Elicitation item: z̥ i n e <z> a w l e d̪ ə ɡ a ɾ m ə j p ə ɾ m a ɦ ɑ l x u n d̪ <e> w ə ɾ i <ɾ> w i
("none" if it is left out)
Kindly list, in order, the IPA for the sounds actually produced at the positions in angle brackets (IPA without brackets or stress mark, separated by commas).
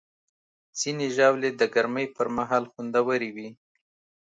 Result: ʒ, a, none